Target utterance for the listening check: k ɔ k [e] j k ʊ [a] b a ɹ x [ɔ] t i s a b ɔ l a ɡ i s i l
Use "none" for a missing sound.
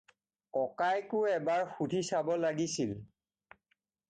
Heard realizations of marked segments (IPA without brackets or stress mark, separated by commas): a, ɛ, u